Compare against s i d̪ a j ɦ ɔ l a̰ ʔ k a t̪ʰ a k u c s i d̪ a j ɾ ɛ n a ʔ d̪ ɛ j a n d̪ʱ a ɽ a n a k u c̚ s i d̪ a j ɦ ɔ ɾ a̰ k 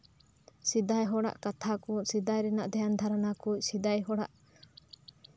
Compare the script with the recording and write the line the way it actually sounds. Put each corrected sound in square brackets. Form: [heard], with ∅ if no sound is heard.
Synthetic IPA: s i d̪ a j ɦ ɔ [ɽ] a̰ ʔ k a t̪ʰ a k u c s i d̪ a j ɾ ɛ n a ʔ d̪ ɛ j a n d̪ʱ a [ɾ] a n a k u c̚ s i d̪ a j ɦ ɔ [ɽ] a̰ [ʔ]